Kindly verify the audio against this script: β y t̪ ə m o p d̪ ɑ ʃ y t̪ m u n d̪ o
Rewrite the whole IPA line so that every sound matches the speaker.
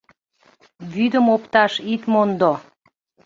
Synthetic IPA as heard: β y d̪ ə m o p t̪ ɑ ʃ i t̪ m o n d̪ o

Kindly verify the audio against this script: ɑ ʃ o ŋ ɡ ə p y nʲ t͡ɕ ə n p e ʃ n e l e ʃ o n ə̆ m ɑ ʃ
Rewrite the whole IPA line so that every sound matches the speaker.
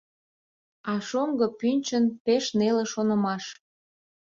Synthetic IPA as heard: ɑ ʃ o ŋ ɡ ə p y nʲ t͡ɕ ə n p e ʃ n e l e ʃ o n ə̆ m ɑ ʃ

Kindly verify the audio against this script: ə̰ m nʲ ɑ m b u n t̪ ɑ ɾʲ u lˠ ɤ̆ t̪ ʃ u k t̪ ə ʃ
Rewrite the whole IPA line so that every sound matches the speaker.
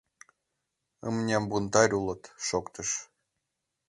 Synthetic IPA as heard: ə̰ m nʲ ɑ m b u n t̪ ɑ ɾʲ u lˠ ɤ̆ t̪ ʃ o k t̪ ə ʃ

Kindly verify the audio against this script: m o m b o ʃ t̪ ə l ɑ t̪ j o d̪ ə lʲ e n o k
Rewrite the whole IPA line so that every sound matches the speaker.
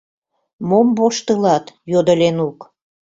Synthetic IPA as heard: m o m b o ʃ t̪ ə l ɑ t̪ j o d̪ ə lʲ e n u k

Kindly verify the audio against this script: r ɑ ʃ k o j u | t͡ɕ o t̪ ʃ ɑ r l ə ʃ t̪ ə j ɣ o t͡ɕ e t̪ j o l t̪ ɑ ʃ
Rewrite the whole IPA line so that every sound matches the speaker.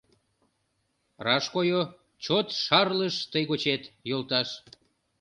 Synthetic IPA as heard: r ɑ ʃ k o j o | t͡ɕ o t̪ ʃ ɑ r l ə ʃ t̪ ə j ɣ o t͡ɕ e t̪ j o l t̪ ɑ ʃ

